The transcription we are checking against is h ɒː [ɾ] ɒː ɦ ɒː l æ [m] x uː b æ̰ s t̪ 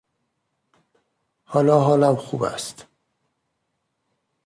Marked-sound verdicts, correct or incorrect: incorrect: l, correct

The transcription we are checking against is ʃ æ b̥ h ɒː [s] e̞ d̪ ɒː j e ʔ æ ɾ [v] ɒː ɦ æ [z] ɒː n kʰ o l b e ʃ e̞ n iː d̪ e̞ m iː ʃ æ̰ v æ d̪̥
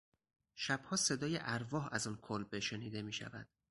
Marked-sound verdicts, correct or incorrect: correct, correct, correct

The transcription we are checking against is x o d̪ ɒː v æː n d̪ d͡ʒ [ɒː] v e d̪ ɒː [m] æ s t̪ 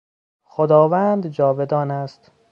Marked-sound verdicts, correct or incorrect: correct, incorrect: n

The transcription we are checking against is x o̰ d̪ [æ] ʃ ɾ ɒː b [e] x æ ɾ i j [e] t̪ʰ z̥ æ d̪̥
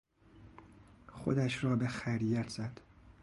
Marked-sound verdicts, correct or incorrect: correct, correct, incorrect: æ

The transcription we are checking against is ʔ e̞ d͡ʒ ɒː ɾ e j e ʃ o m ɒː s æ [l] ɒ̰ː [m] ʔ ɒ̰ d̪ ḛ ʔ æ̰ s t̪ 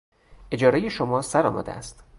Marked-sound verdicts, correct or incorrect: incorrect: ɾ, correct

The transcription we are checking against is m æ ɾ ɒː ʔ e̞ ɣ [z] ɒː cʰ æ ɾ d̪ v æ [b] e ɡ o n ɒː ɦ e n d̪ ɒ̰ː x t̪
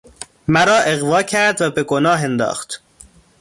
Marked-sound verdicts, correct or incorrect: incorrect: v, correct

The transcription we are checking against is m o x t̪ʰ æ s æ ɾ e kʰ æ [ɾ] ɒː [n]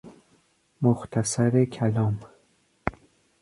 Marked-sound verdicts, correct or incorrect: incorrect: l, incorrect: m

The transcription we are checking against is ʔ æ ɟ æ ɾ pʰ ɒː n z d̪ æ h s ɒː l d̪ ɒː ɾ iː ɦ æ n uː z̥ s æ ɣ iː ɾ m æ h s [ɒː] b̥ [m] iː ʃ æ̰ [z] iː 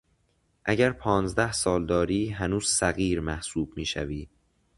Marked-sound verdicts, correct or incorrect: incorrect: uː, correct, incorrect: v

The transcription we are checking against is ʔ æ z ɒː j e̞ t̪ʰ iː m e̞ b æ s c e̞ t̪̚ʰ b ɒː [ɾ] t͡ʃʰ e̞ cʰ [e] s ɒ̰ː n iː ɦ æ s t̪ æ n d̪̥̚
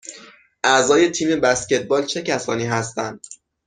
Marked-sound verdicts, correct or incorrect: incorrect: l, incorrect: æ

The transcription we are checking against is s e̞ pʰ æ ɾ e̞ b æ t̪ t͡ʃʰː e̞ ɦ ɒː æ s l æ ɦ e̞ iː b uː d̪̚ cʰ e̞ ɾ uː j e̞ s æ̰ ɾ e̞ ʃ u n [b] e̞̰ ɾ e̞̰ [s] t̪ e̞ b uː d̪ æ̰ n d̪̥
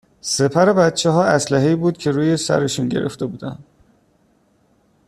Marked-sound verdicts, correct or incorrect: incorrect: ɟ, incorrect: f

